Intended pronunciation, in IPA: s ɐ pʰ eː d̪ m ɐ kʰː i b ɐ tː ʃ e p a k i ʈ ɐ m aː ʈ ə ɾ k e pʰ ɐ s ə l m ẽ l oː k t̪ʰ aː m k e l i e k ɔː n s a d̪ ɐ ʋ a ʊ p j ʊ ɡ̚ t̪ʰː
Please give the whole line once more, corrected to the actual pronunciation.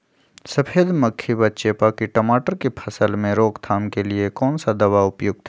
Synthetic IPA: s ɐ pʰ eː d̪ m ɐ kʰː i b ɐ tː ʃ e p a k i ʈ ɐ m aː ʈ ə ɾ k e pʰ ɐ s ə l m ẽ ɾ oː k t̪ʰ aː m k e l i e k ɔː n s a d̪ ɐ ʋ a ʊ p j ʊ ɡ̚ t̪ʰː